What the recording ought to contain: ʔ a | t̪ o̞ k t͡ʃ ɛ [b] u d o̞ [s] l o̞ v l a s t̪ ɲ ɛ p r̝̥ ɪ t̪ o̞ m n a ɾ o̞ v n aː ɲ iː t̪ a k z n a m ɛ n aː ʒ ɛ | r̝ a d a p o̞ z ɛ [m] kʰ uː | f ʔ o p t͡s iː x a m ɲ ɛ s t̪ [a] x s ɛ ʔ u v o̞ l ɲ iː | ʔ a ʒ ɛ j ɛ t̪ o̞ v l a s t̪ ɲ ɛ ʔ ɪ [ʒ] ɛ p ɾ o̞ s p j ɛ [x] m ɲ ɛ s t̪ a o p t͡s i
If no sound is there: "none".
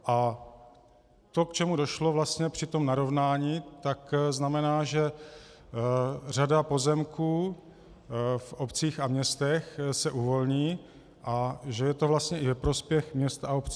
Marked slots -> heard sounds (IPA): m, ʃ, m, ɛ, v, x

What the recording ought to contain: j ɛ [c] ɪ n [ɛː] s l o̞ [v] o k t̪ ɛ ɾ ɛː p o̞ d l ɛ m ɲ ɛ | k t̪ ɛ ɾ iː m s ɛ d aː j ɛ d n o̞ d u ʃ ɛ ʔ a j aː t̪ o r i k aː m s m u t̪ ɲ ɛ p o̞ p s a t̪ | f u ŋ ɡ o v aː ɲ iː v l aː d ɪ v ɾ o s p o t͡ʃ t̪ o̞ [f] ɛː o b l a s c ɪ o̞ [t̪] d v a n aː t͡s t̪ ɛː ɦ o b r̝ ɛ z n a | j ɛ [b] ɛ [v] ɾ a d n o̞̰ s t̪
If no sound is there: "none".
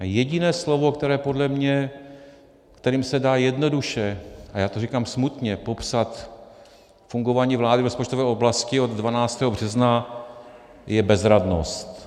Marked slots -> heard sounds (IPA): ɟ, ɛː, v, v, d̪, b, z

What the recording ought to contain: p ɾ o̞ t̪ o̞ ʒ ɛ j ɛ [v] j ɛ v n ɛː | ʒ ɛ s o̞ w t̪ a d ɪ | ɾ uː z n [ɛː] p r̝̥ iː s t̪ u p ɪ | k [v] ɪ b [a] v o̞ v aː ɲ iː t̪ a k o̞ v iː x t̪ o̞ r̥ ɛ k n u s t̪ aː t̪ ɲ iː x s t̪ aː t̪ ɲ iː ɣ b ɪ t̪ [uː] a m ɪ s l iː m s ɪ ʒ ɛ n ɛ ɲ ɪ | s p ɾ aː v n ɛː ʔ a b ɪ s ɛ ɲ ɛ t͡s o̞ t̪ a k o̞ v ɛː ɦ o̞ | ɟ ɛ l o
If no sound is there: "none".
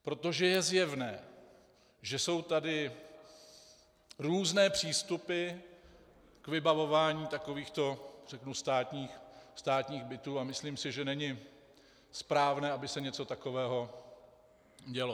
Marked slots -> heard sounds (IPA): z, ɛː, v, a, uː

